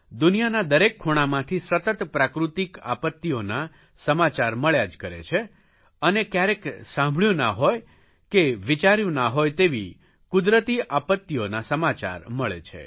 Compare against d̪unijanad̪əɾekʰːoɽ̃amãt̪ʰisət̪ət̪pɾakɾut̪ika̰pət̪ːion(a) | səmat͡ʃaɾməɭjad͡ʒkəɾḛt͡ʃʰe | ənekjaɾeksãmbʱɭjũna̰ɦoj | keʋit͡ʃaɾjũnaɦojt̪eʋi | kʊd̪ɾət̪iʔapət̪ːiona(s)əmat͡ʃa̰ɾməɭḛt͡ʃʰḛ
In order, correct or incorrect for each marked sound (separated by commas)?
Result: correct, correct